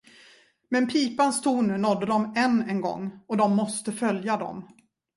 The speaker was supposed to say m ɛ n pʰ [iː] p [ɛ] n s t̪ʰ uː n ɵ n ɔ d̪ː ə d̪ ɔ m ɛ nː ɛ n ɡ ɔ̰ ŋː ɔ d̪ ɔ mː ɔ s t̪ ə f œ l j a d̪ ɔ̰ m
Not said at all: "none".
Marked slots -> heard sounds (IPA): iː, a

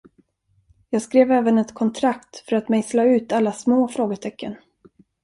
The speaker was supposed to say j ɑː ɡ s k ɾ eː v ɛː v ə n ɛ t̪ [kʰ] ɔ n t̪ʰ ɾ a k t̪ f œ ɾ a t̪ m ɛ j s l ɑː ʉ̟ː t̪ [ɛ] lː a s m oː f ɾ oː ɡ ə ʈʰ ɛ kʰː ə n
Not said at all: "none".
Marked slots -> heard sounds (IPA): kʰ, a

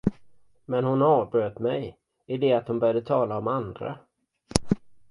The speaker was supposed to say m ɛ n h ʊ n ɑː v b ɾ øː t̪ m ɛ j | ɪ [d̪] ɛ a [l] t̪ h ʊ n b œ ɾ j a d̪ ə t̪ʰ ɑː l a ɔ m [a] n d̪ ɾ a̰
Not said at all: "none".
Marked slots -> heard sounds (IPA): d̪, none, a

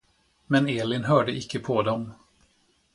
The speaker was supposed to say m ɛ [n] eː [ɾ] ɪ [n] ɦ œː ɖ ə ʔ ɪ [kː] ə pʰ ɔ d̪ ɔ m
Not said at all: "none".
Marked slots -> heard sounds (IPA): n, l, n, kː

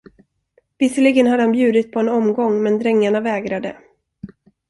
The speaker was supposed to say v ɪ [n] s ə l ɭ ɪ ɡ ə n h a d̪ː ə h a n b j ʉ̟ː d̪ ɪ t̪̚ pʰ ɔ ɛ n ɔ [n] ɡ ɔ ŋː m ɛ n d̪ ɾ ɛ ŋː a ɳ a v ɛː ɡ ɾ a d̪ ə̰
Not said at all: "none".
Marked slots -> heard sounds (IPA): none, m

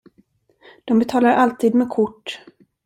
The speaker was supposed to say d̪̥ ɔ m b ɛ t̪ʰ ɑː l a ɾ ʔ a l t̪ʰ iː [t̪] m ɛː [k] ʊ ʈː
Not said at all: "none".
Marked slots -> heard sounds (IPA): d̪, kʰ

